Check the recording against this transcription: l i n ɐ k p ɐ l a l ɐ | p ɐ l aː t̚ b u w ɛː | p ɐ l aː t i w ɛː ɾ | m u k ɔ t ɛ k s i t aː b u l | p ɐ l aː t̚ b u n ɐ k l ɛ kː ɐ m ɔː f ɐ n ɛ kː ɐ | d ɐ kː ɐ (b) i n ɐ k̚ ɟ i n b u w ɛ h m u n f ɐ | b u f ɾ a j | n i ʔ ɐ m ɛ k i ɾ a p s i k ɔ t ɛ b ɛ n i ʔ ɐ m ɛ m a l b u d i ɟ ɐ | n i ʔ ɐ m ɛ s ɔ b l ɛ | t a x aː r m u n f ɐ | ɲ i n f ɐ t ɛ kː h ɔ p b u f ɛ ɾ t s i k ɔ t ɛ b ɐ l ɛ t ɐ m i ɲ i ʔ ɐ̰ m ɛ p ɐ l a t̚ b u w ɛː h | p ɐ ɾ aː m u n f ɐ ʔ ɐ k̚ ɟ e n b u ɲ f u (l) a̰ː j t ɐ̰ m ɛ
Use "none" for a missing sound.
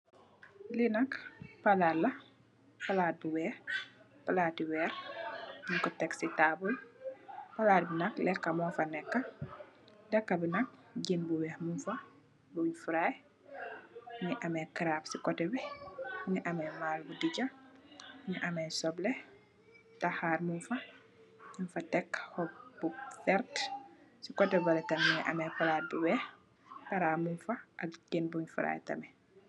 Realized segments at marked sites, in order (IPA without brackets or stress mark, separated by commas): b, ɾ